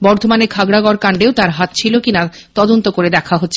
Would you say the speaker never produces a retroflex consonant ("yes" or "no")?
no